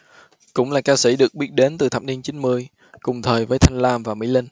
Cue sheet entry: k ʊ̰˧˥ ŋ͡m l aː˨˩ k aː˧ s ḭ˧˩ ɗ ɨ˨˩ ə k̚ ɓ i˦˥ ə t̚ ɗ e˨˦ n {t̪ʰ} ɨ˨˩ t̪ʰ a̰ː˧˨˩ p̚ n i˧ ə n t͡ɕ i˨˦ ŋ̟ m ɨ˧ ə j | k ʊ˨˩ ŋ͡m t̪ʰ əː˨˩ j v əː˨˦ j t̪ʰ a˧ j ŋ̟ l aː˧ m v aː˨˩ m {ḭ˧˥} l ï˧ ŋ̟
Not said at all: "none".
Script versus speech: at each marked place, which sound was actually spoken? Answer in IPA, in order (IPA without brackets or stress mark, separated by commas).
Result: t̪, ḭ˧˥